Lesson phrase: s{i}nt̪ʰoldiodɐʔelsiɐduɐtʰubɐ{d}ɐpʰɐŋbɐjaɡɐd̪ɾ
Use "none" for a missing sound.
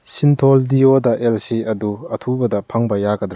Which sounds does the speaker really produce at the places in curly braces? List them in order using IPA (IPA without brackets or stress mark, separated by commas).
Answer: i, d